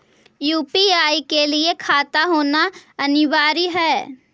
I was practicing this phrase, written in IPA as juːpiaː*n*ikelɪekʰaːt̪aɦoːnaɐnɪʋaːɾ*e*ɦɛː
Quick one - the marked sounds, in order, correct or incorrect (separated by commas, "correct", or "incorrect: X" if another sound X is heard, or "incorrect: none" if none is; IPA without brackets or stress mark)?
incorrect: none, incorrect: i